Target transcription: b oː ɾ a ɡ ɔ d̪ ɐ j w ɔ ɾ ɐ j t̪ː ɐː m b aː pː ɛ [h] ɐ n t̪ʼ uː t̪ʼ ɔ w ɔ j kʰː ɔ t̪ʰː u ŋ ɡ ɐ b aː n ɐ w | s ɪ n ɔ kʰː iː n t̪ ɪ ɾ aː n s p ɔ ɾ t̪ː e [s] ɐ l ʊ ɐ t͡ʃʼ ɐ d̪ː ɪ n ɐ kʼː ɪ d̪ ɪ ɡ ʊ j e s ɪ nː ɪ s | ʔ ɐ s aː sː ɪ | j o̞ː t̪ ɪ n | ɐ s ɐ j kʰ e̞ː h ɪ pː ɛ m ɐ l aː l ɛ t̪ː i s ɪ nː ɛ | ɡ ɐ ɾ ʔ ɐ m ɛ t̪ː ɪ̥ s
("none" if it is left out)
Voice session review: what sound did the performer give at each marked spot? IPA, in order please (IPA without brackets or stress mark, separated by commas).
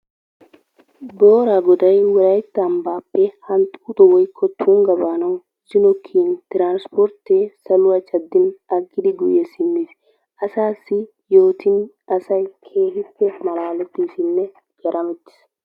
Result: h, s